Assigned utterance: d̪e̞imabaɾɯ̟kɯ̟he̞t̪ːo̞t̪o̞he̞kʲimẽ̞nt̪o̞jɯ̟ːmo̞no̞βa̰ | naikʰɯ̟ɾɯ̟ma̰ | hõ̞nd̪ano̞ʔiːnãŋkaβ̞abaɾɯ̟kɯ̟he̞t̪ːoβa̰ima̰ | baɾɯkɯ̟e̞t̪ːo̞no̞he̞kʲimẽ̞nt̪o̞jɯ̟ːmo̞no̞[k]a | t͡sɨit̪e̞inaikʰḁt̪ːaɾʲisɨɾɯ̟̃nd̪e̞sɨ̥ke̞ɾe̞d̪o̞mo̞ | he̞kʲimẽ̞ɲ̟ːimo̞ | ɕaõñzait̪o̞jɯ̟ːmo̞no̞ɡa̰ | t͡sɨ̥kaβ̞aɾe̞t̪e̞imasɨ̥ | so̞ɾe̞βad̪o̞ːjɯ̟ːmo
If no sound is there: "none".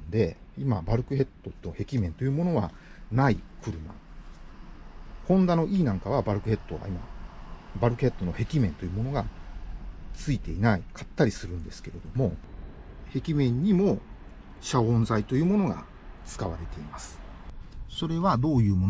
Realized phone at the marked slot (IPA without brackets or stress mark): ɡ